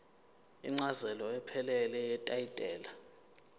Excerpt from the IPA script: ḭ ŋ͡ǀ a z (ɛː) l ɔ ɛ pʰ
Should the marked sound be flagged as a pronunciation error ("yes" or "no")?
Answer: yes